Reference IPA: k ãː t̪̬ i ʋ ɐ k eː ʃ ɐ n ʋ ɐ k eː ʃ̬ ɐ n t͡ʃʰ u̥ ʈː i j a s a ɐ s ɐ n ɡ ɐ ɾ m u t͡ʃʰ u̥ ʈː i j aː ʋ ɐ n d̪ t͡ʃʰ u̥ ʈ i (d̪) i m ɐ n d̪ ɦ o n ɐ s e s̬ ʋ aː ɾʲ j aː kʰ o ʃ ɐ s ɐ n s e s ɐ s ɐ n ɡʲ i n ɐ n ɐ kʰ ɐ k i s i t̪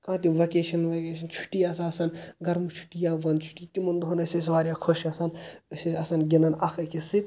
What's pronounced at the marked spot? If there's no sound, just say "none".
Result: t̪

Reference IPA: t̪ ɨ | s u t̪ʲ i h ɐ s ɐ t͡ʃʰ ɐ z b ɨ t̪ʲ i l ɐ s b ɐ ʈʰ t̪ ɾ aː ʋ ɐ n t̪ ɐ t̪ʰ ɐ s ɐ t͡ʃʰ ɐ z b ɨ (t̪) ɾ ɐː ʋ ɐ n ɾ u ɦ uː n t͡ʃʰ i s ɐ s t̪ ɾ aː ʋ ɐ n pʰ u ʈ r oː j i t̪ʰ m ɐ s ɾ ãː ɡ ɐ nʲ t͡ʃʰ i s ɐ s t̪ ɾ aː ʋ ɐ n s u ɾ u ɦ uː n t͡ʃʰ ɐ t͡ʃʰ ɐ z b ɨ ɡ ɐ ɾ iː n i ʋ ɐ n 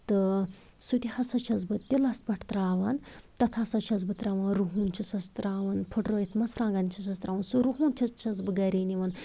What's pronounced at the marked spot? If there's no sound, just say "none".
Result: t̪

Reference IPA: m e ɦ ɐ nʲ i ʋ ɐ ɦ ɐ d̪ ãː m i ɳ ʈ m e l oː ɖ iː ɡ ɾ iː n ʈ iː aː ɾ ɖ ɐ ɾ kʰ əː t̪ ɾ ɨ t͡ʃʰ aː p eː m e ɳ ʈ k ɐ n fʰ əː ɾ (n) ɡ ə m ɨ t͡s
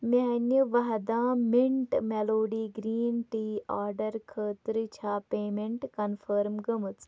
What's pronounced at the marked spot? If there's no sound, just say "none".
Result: m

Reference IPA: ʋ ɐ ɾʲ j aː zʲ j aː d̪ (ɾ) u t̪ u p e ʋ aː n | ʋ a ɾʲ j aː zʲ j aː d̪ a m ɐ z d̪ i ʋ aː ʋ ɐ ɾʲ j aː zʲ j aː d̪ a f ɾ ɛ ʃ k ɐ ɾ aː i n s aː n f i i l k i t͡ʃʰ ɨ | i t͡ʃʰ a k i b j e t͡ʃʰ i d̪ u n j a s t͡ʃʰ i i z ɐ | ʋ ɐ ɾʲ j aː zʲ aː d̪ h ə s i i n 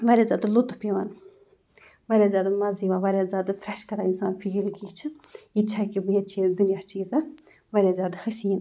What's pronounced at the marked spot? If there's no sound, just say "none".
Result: l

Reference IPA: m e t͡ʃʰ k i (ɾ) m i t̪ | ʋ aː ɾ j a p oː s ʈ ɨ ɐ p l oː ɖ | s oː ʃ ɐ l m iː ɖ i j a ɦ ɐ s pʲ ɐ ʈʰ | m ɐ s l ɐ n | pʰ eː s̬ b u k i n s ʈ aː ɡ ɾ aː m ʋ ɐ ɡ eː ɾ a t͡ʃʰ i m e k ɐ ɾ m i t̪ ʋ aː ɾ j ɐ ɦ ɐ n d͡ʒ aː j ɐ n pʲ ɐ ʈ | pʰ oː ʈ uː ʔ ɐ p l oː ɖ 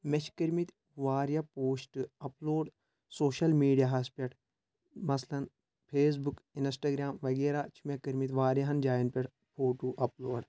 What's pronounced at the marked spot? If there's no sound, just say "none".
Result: ɾ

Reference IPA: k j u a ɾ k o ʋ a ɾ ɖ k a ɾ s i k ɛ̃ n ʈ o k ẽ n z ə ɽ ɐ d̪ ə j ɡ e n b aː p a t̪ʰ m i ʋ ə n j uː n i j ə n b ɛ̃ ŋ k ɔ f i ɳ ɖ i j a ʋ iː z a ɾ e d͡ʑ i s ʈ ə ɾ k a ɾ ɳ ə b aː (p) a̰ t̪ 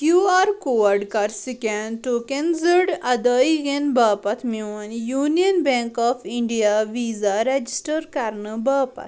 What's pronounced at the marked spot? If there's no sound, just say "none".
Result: p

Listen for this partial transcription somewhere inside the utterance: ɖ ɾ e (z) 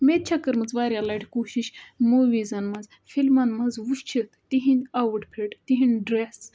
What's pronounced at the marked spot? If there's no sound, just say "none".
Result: s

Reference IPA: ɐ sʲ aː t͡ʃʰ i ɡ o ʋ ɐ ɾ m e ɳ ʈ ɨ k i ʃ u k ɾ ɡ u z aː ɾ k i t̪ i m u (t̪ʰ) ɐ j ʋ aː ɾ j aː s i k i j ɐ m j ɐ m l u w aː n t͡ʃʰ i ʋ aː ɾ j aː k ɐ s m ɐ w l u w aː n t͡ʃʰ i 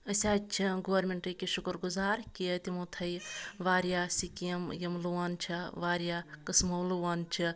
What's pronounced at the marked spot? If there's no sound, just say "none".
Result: t̪ʰ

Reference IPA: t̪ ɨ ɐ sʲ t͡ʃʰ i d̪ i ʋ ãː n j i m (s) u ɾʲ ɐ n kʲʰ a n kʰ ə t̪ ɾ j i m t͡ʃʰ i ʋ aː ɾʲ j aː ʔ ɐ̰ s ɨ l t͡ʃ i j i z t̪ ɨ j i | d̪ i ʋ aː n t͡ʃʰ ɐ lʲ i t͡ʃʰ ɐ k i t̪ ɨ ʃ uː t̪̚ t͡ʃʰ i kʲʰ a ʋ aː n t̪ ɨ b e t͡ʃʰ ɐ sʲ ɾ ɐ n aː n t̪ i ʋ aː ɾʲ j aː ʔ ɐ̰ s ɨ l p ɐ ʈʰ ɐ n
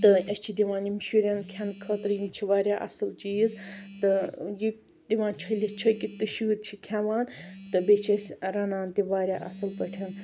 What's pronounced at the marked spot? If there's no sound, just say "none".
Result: ʃ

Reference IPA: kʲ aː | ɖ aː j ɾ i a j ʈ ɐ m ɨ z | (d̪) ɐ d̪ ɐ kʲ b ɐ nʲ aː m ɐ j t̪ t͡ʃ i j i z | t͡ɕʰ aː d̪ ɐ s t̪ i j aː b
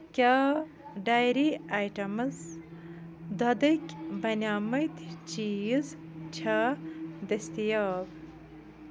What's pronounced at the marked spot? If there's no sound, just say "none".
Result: d̪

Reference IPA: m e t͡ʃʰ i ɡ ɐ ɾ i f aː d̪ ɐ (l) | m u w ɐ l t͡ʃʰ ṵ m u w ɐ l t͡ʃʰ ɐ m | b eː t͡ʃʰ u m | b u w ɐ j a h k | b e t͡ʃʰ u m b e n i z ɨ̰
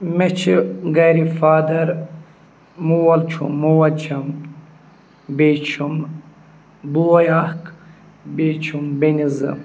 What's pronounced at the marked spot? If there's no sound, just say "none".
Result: ɾ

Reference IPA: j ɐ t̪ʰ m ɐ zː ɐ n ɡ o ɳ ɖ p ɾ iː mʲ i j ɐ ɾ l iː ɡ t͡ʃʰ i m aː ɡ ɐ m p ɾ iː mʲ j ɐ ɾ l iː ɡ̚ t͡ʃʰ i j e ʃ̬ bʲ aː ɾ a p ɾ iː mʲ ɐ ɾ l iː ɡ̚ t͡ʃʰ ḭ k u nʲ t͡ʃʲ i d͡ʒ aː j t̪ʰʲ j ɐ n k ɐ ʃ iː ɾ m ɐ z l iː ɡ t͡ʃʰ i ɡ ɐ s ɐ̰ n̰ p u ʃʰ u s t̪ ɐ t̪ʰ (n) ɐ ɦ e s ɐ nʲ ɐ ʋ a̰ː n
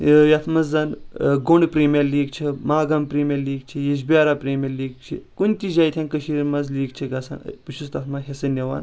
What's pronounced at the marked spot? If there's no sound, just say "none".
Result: m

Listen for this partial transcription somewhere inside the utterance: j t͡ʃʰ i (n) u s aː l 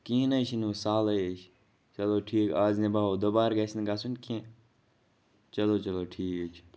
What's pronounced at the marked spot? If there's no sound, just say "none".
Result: n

